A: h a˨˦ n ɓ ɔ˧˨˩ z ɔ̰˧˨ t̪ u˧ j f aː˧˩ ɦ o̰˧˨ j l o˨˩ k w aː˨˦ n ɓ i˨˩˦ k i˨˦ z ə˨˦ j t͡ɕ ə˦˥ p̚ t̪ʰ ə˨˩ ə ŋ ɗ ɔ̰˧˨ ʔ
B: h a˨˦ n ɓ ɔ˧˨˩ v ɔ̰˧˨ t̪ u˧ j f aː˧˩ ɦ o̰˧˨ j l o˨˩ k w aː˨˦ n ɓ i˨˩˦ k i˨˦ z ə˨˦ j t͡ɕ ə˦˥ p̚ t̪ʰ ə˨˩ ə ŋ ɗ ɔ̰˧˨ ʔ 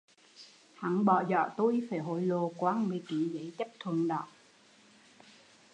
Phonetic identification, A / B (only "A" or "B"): A